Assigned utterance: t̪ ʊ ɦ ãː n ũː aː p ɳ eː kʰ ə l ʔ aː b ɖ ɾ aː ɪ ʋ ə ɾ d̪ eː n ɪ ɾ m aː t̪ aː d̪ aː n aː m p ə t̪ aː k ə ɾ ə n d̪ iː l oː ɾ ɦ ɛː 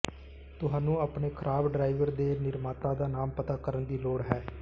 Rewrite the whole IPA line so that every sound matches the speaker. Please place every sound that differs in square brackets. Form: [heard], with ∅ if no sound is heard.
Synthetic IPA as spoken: t̪ ʊ ɦ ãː n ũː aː p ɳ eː kʰ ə [ɾ] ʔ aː b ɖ ɾ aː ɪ ʋ ə ɾ d̪ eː n ɪ ɾ m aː t̪ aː d̪ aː n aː m p ə t̪ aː k ə ɾ ə n d̪ iː l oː [ɽ] ɦ ɛː